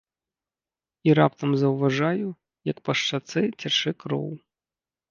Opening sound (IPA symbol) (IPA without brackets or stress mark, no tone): i